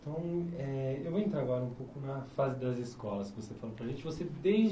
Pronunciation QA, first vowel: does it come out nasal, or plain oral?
nasal